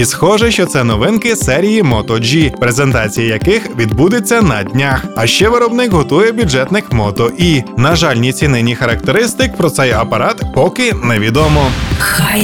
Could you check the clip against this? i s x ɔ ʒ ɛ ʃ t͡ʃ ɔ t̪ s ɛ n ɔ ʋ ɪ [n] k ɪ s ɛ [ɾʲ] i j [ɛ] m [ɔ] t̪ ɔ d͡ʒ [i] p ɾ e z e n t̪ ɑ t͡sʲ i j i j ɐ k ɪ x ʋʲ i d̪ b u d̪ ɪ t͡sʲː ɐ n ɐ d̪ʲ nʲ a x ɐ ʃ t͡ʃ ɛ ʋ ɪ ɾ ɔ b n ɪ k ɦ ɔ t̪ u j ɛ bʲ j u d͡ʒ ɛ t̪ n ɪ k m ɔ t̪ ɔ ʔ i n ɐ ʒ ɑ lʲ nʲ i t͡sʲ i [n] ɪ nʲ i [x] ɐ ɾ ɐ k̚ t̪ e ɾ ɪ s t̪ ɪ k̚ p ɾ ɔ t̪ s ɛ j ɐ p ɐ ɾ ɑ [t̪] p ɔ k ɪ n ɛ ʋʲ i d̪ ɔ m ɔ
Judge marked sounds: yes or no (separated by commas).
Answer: yes, yes, no, yes, yes, yes, yes, yes